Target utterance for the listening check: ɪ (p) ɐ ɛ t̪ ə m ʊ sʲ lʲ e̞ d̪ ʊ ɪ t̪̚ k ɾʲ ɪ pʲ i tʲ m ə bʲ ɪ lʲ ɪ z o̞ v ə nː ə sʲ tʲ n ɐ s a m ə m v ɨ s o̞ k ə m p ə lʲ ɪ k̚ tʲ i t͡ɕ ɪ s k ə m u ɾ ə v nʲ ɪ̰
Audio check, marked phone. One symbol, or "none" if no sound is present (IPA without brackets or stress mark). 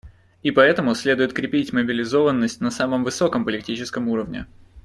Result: p